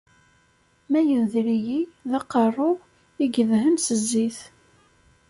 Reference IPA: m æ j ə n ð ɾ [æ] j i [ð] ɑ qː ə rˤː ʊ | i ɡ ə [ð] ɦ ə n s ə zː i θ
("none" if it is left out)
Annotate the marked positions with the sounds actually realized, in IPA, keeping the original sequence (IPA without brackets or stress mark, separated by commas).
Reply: i, ð, ð